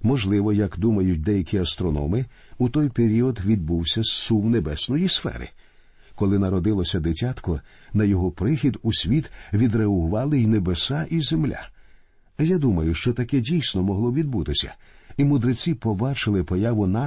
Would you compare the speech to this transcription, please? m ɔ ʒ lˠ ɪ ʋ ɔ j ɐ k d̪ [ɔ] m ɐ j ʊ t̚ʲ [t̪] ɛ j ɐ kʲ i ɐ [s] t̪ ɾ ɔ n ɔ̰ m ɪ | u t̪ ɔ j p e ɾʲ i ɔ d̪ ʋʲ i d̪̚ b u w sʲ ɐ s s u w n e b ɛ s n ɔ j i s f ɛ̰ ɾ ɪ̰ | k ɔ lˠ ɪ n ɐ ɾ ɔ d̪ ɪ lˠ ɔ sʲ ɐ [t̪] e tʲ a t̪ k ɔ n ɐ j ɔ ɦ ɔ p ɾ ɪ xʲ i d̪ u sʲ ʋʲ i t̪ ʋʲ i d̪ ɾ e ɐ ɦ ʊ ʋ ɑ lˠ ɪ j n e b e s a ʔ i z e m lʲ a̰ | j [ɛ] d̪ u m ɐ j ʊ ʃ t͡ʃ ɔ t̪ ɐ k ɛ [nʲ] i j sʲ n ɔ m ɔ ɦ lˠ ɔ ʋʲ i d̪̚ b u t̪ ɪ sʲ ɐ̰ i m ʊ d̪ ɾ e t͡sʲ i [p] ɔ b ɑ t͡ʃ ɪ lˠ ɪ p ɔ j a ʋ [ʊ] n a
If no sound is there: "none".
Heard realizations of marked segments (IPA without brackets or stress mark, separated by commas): u, d̪, s, d̪, a, dʲ, p, ʊ